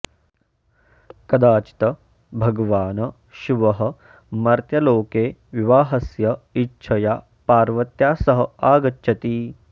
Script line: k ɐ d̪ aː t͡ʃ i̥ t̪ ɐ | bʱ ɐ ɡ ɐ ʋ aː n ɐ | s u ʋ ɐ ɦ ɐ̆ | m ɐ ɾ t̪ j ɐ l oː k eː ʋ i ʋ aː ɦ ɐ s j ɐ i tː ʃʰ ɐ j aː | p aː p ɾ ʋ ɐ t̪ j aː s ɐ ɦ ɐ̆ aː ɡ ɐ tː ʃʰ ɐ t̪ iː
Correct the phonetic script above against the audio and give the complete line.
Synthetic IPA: k ɐ d̪ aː t͡ʃ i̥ t̪ ɐ | bʱ ɐ ɡ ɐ ʋ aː n ɐ | ʃ u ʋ ɐ ɦ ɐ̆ | m ɐ ɾ t̪ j ɐ l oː k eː ʋ i ʋ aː ɦ ɐ s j ɐ i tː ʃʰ ɐ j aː | p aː ɾ ʋ ɐ t̪ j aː s ɐ ɦ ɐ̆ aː ɡ ɐ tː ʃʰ ɐ t̪ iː